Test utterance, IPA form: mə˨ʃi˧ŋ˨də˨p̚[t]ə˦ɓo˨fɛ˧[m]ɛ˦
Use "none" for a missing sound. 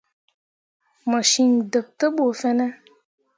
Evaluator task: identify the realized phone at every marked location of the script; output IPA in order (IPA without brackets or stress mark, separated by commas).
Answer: t, n